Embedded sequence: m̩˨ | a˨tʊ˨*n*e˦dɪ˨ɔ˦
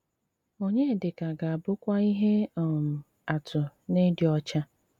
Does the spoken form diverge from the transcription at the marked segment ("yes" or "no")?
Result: no